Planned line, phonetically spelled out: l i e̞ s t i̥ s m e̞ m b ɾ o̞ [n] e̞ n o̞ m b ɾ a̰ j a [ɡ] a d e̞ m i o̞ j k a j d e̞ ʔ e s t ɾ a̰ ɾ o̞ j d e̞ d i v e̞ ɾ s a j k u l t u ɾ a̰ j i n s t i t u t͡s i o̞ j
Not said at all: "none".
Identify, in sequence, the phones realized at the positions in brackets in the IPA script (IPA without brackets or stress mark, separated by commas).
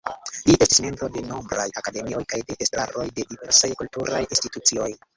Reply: d, k